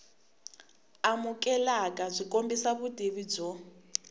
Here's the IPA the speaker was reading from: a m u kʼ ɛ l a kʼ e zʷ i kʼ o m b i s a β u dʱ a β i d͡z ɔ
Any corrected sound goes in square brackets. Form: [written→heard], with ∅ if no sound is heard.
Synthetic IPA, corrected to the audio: a m u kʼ ɛ l a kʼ [e→a] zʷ i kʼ o m b i s a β u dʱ [a→i] β i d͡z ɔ